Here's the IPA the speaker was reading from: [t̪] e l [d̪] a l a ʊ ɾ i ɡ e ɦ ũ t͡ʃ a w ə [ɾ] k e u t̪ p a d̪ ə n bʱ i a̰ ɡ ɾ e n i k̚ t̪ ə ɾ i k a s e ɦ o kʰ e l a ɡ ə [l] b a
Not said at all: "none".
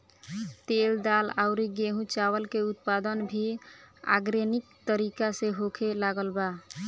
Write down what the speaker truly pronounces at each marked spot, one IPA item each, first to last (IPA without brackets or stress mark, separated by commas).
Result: t̪, d̪, l, l